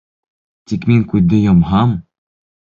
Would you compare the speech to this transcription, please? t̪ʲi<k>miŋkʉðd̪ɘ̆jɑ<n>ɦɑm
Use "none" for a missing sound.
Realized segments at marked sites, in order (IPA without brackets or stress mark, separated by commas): k, m